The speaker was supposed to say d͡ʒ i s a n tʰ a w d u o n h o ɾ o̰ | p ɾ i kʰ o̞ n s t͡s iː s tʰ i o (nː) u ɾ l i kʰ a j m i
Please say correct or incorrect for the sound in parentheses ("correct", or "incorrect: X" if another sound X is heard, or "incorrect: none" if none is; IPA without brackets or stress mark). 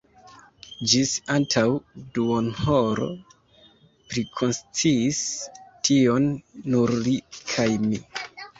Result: correct